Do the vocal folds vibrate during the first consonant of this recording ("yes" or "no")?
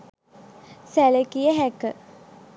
no